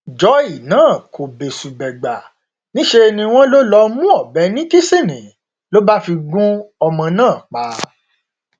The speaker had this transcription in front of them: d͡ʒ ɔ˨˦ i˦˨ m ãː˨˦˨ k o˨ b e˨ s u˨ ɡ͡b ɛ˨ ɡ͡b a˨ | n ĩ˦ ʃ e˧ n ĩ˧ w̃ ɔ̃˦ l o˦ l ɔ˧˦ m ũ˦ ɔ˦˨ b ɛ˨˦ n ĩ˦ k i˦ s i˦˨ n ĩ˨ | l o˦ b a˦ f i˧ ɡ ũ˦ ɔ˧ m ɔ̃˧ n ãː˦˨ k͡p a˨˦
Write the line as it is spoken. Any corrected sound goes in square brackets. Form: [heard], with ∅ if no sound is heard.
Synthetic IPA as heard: d͡ʒ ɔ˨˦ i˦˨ [n] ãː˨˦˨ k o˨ b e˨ s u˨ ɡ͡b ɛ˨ ɡ͡b a˨ | n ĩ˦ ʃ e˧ n ĩ˧ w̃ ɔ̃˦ l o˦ l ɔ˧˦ m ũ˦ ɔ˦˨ b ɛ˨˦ n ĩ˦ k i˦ s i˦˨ n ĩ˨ | l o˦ b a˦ f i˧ ɡ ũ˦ ɔ˧ m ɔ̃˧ n ãː˦˨ k͡p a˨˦